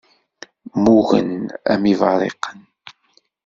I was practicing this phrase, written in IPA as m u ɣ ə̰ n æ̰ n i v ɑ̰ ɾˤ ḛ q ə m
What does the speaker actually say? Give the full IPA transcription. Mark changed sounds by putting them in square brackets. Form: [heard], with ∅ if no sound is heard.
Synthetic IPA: m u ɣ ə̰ n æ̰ [m] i v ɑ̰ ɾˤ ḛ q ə [n]